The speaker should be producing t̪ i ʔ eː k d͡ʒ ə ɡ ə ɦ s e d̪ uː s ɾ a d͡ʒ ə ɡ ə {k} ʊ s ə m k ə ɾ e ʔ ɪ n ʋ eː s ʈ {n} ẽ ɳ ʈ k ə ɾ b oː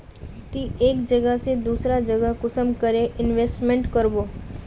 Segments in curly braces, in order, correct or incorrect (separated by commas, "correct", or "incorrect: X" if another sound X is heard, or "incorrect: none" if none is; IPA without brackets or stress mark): correct, incorrect: m